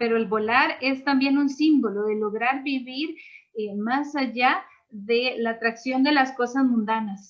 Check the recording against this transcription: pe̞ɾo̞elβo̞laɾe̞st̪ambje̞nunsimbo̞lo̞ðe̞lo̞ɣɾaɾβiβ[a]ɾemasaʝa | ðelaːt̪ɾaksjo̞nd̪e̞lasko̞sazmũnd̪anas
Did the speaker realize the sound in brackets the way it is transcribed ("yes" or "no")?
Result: no